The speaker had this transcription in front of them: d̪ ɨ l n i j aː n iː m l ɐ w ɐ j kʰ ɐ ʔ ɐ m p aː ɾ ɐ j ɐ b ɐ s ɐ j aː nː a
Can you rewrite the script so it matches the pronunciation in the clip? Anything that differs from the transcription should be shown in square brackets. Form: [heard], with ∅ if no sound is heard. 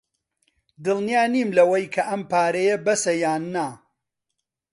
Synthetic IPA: d̪ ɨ l n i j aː n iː m l ɐ w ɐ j kʰ ɐ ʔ ɐ m p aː ɾ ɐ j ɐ b ɐ s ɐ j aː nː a